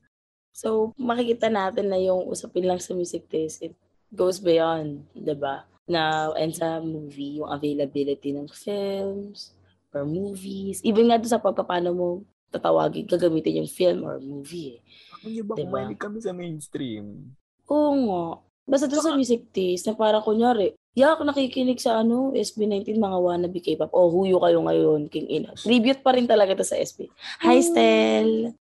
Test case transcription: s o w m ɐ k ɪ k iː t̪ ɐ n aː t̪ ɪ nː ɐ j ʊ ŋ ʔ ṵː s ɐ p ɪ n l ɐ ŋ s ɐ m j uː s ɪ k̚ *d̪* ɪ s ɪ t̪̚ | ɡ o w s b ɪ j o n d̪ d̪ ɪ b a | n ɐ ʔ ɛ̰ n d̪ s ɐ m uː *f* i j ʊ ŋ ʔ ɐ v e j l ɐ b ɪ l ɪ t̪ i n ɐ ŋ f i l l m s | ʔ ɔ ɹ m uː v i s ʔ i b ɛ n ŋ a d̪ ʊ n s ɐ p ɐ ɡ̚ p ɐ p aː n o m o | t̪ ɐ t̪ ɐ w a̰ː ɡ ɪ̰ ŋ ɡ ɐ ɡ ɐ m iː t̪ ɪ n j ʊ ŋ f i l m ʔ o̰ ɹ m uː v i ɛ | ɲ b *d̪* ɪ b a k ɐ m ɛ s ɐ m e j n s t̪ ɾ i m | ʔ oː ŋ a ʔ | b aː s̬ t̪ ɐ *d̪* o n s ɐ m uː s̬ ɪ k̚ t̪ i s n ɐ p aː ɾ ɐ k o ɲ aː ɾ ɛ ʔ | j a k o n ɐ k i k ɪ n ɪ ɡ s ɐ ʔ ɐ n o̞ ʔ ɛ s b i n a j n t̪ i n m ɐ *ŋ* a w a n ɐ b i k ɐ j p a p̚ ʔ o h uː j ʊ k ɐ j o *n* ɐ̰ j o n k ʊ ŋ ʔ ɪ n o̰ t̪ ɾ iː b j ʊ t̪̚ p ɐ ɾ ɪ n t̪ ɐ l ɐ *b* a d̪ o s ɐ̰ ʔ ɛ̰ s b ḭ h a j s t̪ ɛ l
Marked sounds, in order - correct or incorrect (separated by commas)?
incorrect, incorrect, correct, correct, correct, incorrect, incorrect